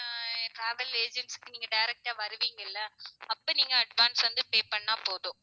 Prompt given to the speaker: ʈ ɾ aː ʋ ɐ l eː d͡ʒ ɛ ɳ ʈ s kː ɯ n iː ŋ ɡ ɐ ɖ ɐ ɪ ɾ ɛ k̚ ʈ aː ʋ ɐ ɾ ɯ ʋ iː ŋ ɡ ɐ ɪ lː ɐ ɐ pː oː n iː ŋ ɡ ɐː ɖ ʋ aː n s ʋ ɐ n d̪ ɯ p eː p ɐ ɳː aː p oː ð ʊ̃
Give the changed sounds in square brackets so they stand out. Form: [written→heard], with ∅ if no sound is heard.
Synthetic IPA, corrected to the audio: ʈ ɾ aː ʋ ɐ l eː d͡ʒ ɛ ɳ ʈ s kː ɯ n iː ŋ ɡ ɐ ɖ ɐ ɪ ɾ ɛ k̚ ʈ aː ʋ ɐ ɾ ɯ ʋ iː ŋ ɡ ɐ ɪ lː ɐ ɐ pː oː n iː ŋ ɡ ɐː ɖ ʋ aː n s ʋ ɐ n d̪ ɯ p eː p ɐ ɳː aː p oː ð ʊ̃